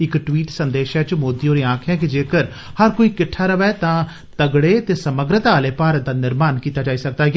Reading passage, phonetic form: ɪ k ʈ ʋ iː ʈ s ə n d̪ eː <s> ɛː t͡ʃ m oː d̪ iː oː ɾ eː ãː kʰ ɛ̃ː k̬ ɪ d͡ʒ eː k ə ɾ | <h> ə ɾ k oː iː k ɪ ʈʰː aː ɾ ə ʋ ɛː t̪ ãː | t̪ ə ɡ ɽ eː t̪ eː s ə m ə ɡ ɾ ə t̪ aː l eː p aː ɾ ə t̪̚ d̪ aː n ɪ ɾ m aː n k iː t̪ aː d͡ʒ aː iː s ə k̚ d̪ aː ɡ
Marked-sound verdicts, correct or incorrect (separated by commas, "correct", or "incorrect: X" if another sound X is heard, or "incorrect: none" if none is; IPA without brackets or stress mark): incorrect: ʃ, correct